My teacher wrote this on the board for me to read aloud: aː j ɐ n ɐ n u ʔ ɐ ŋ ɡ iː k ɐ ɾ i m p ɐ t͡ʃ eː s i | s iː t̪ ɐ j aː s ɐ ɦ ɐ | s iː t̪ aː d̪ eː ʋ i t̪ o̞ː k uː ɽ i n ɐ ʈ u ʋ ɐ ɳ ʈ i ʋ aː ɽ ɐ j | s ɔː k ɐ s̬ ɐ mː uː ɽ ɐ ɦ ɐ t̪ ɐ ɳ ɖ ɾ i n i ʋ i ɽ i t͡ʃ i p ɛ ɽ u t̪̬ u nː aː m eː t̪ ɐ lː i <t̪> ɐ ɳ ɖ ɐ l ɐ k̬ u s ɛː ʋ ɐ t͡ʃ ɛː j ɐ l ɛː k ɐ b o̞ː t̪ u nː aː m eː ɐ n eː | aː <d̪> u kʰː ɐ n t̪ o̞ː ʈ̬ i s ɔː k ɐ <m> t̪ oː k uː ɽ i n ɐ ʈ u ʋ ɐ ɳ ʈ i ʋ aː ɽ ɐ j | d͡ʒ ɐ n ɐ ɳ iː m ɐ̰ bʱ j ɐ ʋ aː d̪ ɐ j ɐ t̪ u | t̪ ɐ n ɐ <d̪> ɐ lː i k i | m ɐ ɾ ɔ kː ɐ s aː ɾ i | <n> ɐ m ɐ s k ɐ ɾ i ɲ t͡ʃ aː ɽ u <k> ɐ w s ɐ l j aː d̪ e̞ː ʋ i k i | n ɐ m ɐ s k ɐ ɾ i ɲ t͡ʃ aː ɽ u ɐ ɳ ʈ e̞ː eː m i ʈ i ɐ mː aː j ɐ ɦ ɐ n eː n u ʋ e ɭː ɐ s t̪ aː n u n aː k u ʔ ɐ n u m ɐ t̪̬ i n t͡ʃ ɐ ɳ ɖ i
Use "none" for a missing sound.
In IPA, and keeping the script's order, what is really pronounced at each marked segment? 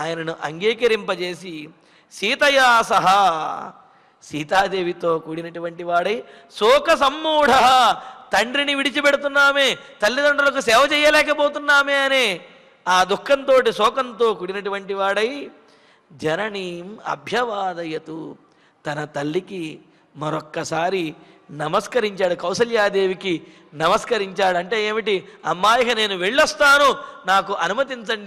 d̪, d̪, n, t̪, n, k

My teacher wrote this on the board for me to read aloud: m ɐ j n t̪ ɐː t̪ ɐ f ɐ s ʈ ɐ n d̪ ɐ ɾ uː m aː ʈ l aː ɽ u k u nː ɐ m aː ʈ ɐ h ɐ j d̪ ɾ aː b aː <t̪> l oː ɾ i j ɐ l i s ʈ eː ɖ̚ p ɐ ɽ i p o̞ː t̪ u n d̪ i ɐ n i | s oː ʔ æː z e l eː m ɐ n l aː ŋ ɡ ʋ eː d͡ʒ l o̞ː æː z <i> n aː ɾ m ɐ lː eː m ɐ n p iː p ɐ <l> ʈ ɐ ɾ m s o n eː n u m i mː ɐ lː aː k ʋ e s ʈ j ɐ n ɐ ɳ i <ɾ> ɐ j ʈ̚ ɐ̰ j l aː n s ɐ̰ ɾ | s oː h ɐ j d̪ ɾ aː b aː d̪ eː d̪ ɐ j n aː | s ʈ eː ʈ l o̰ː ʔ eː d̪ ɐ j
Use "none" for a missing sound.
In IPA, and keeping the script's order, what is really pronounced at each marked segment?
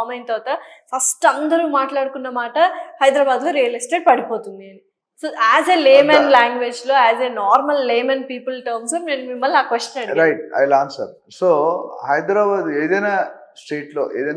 d̪, e, l, ɾ

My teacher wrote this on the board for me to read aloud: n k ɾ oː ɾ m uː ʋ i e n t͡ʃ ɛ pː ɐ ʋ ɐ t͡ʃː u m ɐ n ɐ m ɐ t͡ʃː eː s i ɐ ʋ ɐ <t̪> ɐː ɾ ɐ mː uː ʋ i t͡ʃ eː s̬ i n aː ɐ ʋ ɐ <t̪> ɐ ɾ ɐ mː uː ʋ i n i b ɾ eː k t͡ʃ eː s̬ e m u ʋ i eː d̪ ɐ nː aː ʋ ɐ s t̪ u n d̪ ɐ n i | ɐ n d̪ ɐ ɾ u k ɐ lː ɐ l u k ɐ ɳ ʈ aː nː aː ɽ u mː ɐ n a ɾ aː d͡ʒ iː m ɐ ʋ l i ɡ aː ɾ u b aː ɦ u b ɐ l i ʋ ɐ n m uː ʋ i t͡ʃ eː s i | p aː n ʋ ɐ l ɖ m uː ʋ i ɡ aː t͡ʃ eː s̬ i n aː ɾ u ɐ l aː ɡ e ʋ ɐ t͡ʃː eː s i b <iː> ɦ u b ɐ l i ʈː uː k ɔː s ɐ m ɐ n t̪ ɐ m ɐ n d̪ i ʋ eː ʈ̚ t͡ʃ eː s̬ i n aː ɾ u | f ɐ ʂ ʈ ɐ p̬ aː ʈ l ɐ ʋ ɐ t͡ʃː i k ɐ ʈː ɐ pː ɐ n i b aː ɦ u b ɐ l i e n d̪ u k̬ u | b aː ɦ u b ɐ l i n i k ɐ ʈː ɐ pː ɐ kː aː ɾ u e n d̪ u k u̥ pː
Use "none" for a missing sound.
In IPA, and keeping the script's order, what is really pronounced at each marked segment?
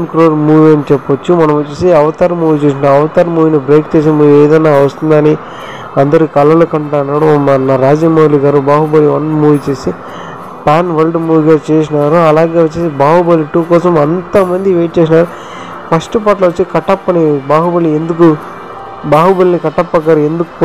t̪, t̪, aː

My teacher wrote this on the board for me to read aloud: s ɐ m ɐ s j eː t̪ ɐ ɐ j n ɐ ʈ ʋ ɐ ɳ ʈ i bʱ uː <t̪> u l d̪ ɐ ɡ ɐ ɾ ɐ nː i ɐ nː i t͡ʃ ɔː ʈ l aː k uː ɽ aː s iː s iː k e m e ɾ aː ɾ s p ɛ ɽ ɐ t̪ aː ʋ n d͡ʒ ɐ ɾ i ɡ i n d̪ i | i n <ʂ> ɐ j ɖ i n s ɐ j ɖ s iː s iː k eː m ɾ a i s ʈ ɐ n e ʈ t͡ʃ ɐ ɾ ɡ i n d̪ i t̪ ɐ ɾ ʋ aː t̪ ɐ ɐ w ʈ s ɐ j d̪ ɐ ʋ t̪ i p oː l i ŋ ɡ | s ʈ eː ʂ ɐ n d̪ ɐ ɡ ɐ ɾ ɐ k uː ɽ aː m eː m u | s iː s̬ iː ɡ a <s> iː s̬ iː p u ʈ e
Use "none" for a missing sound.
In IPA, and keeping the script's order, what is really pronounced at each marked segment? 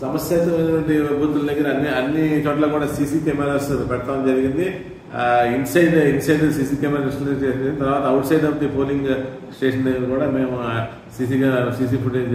t̪, s, s

